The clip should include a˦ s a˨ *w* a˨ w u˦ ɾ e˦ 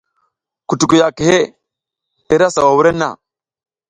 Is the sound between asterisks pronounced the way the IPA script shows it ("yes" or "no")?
yes